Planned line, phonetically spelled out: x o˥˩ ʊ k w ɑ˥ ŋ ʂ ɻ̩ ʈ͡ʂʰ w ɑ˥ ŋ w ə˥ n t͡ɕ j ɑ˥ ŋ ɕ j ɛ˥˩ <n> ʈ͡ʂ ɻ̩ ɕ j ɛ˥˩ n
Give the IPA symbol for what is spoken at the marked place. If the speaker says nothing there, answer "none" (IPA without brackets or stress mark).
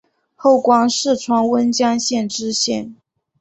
n